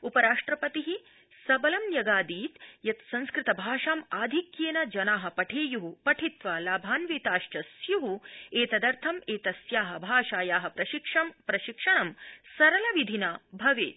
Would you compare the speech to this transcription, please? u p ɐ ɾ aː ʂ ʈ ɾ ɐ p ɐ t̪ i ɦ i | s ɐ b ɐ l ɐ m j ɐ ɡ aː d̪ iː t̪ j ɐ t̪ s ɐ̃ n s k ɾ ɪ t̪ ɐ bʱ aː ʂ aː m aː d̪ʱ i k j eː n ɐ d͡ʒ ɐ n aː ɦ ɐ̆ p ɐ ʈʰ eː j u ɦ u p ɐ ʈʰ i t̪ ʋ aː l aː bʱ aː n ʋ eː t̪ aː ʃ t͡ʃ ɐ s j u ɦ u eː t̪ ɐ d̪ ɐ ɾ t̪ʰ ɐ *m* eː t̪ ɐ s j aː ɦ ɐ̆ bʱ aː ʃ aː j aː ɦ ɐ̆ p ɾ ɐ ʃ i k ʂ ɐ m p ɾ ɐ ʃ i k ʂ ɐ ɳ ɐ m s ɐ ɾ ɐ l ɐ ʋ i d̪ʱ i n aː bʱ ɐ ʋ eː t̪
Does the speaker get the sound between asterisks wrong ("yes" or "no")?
no